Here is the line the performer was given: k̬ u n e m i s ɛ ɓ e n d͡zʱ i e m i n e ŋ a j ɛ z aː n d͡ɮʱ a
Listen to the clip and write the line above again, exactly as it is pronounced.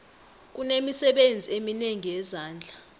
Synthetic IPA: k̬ u n e m i s ɛ ɓ e n d͡zʱ i e m i n e ŋ i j ɛ z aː n d͡ɮʱ a